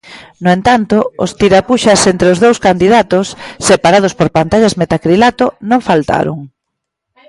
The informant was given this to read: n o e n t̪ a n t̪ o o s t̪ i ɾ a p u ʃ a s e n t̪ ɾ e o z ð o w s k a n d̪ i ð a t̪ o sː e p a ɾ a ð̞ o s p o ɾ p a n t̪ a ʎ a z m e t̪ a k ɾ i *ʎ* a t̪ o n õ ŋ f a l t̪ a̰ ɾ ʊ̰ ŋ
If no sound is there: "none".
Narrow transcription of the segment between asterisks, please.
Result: l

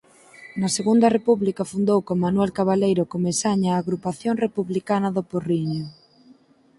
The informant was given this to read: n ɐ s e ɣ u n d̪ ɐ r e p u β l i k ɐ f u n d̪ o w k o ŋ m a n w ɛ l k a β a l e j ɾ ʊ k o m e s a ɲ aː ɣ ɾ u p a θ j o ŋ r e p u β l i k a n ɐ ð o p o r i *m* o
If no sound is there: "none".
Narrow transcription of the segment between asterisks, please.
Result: ɲ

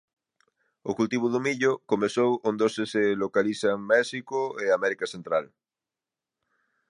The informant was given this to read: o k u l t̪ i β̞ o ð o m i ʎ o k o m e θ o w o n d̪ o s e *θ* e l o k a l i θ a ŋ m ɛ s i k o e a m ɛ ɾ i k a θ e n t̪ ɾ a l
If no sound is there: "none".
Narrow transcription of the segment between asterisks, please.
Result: s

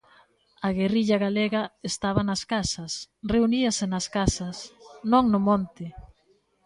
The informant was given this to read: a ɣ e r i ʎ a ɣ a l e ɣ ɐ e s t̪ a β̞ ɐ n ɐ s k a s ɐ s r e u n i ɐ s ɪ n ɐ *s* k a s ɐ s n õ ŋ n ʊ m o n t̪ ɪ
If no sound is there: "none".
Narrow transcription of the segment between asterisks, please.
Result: s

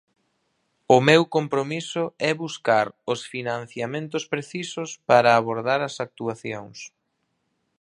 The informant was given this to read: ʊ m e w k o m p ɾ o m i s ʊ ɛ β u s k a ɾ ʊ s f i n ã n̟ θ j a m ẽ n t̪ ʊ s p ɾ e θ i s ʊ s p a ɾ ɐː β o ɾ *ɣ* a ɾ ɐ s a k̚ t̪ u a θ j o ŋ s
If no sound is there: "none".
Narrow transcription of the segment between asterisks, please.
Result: ð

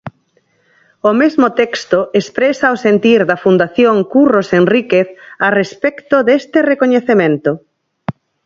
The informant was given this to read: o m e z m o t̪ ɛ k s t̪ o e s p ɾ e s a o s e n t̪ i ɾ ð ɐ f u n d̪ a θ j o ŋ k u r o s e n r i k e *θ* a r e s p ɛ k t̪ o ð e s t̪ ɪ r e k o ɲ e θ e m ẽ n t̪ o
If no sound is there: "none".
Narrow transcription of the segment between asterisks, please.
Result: θ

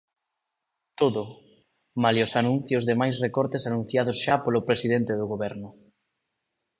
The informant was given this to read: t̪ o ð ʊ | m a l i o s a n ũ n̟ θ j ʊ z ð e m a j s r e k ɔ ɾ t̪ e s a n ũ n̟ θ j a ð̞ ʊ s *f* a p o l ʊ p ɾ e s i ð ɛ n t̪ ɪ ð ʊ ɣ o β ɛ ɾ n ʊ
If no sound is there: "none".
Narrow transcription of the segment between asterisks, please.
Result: ʃ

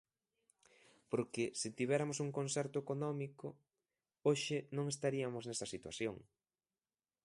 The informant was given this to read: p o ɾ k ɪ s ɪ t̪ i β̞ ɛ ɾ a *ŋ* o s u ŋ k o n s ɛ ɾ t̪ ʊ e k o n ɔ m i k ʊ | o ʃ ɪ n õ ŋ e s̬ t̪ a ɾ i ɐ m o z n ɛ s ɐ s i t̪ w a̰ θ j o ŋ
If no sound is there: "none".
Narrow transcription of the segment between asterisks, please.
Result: m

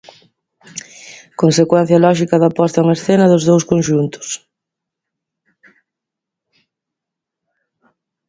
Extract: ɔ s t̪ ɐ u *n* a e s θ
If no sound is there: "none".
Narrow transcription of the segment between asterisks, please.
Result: ŋ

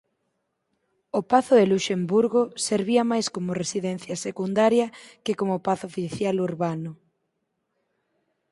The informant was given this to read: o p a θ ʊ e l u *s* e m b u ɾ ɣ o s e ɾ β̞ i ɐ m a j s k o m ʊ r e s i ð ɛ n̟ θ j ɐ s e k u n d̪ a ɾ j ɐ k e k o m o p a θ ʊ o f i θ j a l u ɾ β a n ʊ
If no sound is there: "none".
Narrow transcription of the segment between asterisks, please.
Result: ʃ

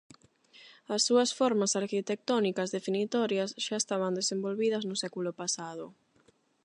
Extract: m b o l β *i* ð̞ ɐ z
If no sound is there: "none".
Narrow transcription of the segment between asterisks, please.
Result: i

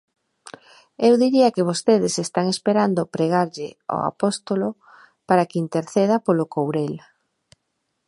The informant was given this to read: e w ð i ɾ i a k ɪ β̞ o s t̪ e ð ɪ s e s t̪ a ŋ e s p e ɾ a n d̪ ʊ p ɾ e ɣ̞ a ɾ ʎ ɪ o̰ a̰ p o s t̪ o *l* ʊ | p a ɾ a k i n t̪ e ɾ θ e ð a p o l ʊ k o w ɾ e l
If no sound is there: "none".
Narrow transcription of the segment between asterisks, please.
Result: l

